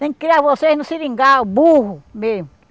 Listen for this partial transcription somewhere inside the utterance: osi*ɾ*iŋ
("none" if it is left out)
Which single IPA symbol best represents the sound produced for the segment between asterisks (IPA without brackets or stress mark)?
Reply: ɾ